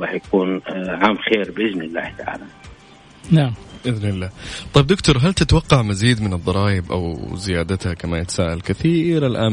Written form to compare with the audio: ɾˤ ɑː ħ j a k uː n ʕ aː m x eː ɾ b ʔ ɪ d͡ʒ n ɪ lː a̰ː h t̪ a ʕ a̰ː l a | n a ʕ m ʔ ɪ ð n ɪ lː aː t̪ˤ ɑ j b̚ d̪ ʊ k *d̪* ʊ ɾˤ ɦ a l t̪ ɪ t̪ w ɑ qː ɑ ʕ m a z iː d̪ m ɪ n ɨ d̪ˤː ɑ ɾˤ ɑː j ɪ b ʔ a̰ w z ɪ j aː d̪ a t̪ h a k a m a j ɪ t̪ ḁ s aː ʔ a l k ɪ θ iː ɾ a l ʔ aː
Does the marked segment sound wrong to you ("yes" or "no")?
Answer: yes